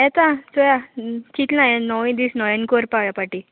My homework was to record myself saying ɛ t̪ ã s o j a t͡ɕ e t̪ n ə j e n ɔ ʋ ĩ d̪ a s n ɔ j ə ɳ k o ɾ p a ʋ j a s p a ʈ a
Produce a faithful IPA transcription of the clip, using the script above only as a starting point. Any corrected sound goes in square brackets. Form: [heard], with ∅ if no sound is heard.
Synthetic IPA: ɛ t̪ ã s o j a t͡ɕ [i] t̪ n [a] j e n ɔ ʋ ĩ d̪ [i] s n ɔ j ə [n] k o ɾ p a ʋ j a [∅] p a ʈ [i]